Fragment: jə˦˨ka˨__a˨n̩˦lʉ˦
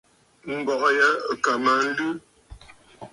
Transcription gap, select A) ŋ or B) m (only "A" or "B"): B